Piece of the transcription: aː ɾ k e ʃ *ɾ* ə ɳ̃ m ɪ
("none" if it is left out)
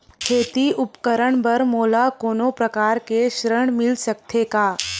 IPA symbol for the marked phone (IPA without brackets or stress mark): ɾ